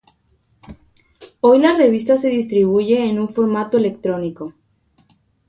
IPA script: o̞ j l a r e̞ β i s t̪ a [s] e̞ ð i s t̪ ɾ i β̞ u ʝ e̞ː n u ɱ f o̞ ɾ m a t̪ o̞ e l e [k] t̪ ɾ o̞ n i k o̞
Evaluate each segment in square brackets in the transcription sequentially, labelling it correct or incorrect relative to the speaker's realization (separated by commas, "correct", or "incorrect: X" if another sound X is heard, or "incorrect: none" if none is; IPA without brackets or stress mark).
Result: correct, correct